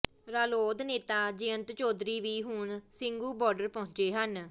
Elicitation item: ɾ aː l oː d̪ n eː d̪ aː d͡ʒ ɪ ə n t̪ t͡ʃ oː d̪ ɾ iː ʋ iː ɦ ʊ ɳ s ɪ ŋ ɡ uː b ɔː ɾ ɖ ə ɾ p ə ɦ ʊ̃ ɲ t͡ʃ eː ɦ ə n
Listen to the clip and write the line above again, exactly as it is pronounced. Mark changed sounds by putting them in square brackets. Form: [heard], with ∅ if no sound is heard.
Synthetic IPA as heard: ɾ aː l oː d̪ n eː [t̪] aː d͡ʒ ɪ ə n t̪ t͡ʃ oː d̪ ɾ iː ʋ iː ɦ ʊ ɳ s ɪ ŋ ɡ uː b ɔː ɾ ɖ ə ɾ p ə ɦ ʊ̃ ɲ t͡ʃ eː ɦ ə n